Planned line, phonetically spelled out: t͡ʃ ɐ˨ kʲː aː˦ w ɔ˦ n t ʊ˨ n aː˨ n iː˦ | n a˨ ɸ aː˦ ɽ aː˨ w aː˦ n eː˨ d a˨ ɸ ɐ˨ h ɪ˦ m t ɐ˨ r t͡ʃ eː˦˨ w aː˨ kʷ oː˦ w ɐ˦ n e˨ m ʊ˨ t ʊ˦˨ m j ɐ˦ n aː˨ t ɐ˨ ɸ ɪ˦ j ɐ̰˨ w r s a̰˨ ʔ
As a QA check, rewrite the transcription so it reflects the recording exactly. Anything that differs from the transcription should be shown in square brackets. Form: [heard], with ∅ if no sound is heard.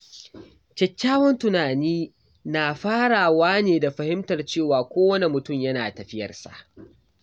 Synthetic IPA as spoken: t͡ʃ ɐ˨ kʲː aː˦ w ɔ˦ n t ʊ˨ n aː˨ n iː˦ | n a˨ ɸ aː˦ ɽ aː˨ w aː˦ n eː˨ d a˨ ɸ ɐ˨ h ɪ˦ m t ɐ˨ r t͡ʃ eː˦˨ w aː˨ kʷ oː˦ w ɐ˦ n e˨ m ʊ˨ t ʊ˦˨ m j ɐ˦ n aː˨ t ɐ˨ ɸ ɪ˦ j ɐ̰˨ [∅] r s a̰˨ ʔ